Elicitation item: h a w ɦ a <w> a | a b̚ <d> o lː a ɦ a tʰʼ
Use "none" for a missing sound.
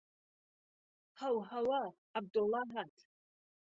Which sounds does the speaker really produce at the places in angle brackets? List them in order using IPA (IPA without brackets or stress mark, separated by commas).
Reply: w, d